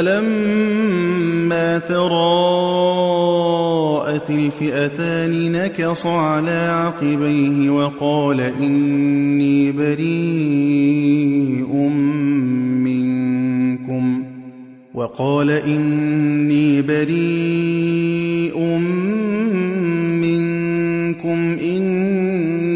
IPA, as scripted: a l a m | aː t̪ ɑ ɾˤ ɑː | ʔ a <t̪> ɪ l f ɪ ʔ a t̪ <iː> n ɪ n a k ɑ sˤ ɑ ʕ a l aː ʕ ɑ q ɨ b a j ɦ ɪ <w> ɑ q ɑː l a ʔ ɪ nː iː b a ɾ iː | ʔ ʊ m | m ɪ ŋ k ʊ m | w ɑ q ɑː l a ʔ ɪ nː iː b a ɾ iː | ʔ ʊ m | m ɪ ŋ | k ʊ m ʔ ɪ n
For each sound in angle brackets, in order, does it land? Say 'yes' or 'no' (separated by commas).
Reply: yes, no, yes